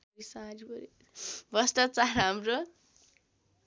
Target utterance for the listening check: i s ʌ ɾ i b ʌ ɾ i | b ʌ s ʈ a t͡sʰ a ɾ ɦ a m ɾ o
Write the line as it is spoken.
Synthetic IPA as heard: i s a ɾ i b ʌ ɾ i | b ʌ s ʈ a t͡s a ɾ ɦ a m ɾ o